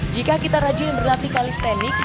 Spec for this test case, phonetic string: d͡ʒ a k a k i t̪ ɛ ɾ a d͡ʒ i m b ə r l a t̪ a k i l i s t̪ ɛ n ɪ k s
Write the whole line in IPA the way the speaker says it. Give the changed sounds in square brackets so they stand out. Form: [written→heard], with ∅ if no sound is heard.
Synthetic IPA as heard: d͡ʒ [a→i] k a k i t̪ [ɛ→a] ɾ a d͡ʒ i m b ə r l a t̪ [a→i] k [i→a] l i s t̪ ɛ n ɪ k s